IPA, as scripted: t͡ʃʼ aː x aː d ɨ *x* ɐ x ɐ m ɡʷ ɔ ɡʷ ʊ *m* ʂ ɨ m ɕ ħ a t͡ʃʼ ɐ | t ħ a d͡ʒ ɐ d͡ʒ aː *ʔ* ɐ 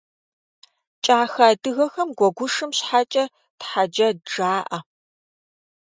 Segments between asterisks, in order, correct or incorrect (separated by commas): incorrect, incorrect, correct